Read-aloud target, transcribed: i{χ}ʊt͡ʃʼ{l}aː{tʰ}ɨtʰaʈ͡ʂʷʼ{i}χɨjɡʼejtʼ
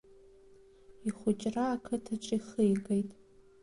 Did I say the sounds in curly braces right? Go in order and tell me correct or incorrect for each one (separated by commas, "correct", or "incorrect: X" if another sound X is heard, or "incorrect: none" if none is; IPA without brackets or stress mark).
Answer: correct, incorrect: r, incorrect: kʰ, correct